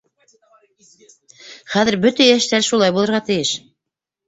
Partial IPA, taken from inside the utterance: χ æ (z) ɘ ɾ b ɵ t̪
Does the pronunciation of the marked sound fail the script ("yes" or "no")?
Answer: yes